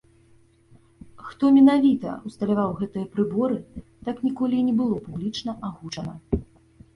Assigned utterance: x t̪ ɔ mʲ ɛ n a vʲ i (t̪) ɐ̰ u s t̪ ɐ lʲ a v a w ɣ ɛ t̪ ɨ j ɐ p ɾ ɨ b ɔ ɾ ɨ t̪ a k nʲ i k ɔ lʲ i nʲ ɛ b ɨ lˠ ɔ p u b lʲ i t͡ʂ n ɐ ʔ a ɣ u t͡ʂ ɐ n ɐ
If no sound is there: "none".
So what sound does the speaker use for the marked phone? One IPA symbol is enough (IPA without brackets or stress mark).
t̪